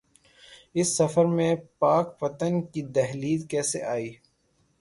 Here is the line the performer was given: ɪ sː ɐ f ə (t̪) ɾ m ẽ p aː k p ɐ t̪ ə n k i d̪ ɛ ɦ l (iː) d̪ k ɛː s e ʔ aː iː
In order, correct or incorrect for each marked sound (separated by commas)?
incorrect, correct